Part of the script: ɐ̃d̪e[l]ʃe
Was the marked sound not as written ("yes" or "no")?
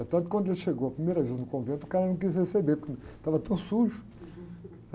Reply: no